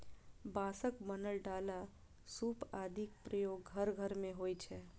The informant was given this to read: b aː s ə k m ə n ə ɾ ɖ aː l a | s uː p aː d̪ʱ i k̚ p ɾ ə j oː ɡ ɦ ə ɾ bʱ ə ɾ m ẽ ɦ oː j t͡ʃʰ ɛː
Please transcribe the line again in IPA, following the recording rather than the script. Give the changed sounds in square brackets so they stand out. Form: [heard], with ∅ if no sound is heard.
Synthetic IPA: b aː s ə k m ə n ə [l] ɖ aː l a | s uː p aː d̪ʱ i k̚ p ɾ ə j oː ɡ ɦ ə ɾ [ɡʱ] ə ɾ m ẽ ɦ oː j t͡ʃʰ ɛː